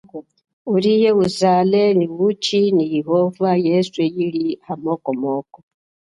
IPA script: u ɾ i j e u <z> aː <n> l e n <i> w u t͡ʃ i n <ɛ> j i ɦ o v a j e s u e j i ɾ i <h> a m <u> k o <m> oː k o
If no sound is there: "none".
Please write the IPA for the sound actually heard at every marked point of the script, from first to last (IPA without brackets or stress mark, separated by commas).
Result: z, none, i, i, h, o, m